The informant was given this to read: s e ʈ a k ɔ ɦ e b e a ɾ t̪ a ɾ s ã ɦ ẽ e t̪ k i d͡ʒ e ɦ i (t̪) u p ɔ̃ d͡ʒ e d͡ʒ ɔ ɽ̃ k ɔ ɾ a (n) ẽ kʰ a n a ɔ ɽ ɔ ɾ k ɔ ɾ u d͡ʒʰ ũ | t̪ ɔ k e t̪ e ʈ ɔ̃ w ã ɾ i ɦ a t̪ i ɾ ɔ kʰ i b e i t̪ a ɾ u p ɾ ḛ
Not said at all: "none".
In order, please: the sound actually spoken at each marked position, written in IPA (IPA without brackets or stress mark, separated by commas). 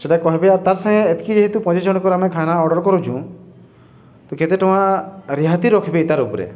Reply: t̪, m